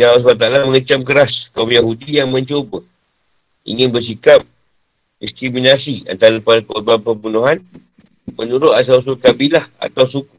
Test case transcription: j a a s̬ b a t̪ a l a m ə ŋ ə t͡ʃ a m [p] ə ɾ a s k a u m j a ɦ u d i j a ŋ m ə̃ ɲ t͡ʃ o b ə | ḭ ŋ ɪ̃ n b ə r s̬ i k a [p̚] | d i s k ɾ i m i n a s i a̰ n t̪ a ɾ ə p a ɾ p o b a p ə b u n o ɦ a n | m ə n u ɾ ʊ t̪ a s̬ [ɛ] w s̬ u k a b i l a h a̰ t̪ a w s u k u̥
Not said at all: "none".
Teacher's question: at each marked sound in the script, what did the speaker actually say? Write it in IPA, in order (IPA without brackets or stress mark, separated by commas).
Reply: k, p̚, a